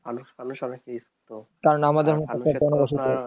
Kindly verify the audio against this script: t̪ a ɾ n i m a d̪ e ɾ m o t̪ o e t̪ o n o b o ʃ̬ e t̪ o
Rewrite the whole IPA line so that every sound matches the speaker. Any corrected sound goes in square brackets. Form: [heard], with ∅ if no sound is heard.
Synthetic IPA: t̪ a ɾ n [a] m a d̪ e ɾ m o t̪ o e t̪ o n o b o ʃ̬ [i] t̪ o

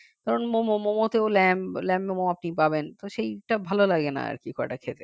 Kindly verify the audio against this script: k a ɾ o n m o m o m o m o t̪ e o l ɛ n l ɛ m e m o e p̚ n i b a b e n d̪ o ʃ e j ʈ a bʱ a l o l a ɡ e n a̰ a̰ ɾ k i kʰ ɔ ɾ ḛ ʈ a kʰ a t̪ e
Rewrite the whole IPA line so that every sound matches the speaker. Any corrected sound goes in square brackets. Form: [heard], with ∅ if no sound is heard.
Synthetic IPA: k a ɾ o n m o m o m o m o t̪ e o l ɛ [m] l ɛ m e m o [a] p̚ n i [p] a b e n [t̪] o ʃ e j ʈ a bʱ a l o l a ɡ e n a̰ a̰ ɾ k i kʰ ɔ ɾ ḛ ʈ a kʰ [e] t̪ e

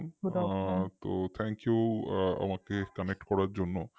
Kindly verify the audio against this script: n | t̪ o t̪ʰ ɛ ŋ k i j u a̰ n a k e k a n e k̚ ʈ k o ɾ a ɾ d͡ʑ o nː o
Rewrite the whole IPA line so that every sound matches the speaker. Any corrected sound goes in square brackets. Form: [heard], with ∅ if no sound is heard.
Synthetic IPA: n | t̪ o t̪ʰ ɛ ŋ k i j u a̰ [m] a k e k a n e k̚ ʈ k [ɔ] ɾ a ɾ d͡ʑ o nː o

